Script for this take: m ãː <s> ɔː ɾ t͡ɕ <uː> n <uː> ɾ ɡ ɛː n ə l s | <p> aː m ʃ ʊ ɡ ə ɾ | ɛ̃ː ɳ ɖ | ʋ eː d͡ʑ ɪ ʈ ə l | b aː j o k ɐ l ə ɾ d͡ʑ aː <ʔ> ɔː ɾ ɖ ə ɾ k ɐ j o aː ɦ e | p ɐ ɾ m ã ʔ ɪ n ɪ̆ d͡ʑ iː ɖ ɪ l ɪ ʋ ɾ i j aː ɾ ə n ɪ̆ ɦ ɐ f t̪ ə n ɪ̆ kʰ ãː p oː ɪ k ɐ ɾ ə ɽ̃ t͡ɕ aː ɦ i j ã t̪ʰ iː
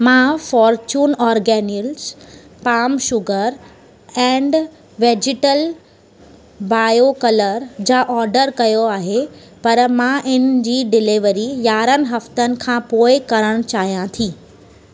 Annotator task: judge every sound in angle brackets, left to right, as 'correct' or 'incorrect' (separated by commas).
incorrect, correct, incorrect, correct, correct